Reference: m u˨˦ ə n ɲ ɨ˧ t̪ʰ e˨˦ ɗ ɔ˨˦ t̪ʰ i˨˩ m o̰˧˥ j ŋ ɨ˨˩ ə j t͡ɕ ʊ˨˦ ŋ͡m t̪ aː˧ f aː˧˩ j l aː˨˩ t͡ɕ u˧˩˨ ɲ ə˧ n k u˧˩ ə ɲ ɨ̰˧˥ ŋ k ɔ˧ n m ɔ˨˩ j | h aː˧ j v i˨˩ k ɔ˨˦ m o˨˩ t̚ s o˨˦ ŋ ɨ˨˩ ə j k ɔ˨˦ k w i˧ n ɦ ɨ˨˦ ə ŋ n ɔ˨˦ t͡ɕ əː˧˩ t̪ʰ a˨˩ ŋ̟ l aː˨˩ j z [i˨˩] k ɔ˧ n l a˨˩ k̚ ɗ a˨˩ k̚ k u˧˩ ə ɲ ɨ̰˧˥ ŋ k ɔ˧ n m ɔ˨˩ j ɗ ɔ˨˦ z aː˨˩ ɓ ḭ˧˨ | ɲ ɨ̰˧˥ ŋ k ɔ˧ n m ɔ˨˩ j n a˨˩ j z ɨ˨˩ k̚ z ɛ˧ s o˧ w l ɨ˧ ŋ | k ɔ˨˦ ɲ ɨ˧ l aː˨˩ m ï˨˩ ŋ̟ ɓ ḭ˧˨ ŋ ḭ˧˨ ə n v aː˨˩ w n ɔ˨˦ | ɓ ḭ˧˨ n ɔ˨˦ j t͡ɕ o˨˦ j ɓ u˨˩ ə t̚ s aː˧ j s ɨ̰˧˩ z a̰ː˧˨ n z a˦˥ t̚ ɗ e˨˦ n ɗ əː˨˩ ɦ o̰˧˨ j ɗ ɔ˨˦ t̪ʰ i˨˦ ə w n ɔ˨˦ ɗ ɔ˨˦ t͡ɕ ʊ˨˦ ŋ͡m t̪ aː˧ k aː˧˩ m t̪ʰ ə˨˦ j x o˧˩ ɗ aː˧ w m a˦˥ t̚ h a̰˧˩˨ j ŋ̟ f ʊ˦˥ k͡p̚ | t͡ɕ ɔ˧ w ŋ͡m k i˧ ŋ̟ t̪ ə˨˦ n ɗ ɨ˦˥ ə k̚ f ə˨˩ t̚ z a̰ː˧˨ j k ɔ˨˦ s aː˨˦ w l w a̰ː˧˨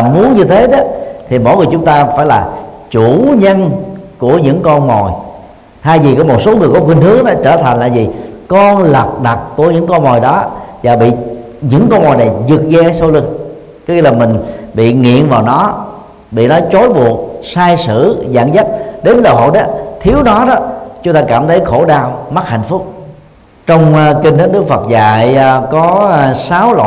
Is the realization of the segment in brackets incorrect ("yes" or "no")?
no